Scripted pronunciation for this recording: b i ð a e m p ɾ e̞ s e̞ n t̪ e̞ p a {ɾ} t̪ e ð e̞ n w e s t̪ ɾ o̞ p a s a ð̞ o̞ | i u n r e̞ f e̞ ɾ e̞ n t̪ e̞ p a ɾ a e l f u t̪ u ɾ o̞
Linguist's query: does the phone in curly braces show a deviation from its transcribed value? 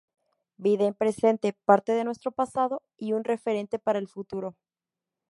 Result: no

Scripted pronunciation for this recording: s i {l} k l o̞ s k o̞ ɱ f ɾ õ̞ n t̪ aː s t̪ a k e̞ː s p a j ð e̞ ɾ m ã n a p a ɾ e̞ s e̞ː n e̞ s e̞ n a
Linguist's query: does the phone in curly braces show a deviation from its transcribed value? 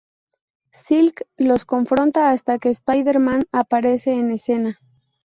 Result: no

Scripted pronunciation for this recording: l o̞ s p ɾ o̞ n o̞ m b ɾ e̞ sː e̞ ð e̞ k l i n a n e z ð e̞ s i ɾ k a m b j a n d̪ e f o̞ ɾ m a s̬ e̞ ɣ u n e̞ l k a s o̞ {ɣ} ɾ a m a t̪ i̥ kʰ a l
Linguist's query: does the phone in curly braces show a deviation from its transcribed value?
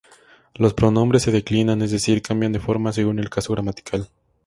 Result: no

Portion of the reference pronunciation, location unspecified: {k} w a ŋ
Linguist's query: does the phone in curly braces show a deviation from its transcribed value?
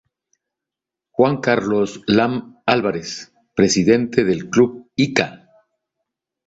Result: yes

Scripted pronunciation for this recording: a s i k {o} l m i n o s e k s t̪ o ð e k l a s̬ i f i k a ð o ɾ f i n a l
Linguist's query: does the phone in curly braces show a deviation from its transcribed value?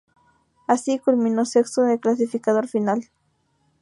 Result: yes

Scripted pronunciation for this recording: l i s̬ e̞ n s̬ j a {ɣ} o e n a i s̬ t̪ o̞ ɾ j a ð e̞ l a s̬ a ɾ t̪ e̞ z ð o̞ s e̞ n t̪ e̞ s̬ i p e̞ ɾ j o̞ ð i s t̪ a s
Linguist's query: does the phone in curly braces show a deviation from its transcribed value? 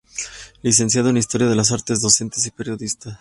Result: yes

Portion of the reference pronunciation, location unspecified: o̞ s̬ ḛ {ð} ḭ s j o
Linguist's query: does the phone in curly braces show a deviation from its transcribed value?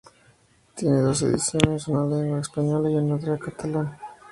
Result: no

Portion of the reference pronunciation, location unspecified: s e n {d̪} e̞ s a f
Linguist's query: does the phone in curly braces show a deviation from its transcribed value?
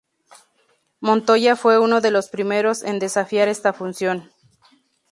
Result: no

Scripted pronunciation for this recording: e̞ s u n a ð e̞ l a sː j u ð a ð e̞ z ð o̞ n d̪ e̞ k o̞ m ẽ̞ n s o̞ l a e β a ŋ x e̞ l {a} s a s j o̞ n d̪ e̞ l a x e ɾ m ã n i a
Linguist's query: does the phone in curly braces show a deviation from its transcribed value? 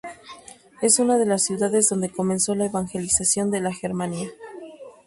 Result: yes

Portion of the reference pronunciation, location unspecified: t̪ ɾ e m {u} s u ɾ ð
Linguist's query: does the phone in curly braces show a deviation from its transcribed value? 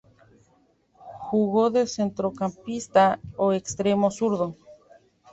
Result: yes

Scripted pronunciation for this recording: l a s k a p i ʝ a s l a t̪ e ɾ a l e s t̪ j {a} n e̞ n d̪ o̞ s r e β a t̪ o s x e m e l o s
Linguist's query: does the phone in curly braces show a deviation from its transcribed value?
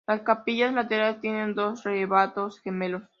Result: yes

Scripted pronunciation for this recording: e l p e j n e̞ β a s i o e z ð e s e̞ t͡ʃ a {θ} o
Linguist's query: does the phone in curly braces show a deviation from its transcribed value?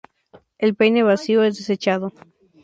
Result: yes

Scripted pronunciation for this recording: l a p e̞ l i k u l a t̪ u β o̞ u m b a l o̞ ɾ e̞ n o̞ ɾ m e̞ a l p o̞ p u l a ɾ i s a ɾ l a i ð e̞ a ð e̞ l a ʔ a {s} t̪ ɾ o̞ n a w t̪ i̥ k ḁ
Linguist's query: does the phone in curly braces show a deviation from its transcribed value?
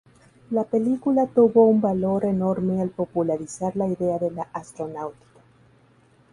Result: no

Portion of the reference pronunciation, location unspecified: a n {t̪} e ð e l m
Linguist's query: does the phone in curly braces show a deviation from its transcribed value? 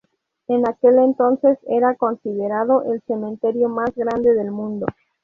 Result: yes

